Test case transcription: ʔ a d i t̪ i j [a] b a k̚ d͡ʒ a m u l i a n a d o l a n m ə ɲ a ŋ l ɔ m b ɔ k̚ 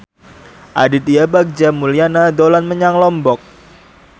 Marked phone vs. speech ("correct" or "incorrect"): correct